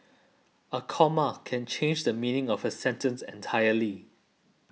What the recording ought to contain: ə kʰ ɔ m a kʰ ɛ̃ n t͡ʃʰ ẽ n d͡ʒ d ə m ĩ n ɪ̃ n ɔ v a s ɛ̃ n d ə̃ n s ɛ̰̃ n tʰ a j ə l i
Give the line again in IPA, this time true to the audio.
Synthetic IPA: ə kʰ ɔ m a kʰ ɛ̃ n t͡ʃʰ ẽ n d͡ʒ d ə m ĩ n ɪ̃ ŋ ɔ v ə s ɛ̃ n t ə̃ n s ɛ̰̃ n tʰ a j ə l i